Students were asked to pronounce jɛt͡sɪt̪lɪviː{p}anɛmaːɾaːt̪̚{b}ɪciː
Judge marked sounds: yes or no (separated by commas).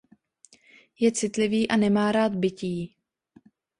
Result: no, yes